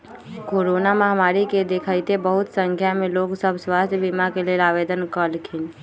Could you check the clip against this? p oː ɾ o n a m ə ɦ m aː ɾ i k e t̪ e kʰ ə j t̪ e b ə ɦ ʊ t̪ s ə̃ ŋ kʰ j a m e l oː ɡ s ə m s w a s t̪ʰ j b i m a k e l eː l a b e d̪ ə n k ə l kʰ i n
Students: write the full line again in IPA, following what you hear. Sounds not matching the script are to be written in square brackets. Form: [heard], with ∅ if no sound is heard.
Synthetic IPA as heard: [k] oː ɾ o n a m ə ɦ m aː ɾ i k e [d̪] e kʰ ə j t̪ e b ə ɦ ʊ t̪ s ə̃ ŋ kʰ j a m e l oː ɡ s ə [b] s w a s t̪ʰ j b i m a k e l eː l a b e d̪ ə n k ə l kʰ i n

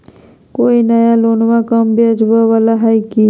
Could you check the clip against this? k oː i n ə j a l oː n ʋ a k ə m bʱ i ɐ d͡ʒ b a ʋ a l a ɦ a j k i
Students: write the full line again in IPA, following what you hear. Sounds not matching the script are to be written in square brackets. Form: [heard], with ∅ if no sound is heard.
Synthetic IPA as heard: k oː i n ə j a l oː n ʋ a k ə m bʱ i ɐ d͡ʒ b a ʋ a l a ɦ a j k i

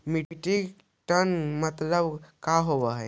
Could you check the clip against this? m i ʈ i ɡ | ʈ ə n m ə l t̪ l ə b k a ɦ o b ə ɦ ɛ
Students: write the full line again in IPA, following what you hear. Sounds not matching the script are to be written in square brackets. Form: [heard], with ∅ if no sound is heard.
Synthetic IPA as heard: m i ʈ i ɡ | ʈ ə n m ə [∅] t̪ l ə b k a ɦ o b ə ɦ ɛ

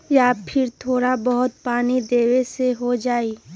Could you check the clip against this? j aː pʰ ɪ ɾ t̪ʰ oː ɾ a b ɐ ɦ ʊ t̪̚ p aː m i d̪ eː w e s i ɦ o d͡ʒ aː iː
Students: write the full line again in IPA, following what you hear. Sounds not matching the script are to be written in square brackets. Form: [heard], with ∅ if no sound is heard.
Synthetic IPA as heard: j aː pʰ ɪ ɾ t̪ʰ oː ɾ a b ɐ ɦ ʊ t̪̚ p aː [n] i d̪ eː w e s [e] ɦ o d͡ʒ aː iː

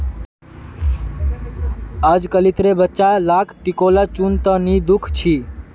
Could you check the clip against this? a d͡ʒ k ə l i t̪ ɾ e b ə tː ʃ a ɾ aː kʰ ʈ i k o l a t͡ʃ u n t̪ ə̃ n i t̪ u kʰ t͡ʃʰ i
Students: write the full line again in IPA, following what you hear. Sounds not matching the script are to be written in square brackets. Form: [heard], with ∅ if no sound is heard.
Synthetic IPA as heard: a d͡ʒ k ə l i t̪ ɾ e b ə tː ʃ a [l] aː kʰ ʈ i k o l a t͡ʃ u n t̪ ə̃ n i [d̪] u kʰ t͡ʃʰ i

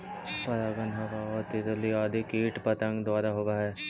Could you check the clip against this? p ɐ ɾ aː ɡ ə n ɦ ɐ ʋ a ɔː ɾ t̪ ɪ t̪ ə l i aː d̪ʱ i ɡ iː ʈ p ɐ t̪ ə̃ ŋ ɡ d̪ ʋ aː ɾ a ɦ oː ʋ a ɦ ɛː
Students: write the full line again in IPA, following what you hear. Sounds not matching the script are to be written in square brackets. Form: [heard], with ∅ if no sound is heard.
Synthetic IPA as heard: p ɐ ɾ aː ɡ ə n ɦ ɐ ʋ a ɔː ɾ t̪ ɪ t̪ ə l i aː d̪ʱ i [k] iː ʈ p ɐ t̪ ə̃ ŋ ɡ d̪ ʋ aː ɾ a ɦ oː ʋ a ɦ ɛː

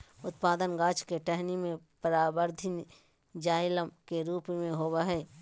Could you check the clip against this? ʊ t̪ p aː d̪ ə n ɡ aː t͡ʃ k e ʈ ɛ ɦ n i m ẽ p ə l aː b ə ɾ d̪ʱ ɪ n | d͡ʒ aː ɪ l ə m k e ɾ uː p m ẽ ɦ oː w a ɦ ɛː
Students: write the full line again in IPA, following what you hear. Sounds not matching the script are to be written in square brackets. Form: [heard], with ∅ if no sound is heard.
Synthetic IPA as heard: ʊ t̪ p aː d̪ ə n ɡ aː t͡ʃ k e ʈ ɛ ɦ n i m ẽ p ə [ɾ] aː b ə ɾ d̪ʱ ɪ n | d͡ʒ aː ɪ l ə m k e ɾ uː p m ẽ ɦ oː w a ɦ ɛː

